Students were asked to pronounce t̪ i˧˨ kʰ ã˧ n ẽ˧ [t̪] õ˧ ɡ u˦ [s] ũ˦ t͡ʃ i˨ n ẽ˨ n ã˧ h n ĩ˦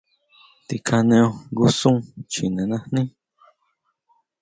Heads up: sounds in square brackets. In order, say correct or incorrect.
incorrect, correct

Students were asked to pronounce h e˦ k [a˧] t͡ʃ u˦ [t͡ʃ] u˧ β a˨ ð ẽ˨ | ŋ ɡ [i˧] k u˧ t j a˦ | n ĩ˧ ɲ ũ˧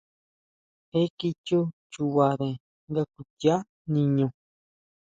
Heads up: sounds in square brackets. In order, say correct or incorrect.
incorrect, correct, incorrect

